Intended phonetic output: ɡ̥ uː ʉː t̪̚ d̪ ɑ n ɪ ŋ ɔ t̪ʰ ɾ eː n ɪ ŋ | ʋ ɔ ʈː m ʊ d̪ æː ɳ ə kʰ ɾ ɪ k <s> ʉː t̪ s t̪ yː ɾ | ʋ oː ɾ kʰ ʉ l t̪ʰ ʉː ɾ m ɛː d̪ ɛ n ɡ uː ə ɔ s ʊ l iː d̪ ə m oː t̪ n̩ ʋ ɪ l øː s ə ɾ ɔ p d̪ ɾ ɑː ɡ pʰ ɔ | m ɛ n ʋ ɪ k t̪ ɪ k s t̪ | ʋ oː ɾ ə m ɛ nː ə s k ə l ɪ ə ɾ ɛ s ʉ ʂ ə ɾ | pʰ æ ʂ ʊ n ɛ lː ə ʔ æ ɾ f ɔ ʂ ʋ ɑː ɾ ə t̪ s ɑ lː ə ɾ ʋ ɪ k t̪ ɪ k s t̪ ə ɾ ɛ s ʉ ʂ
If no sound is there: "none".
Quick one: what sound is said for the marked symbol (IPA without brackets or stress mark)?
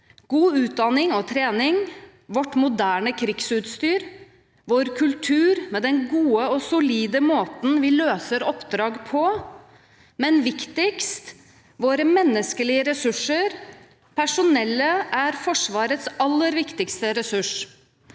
s